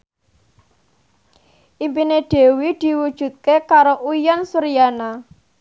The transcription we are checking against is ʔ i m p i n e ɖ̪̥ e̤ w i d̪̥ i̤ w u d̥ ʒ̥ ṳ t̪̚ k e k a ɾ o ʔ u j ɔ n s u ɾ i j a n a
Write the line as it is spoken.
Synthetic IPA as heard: ʔ i m p i n e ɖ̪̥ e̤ w i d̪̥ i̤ w u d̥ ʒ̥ ṳ t̪̚ k e k a ɾ o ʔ u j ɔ n s u ɾ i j a n a